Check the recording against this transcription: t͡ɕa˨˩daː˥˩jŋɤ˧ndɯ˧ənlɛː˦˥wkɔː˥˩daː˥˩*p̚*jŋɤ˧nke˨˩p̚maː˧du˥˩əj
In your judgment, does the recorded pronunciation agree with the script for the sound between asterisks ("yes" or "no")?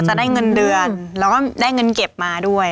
no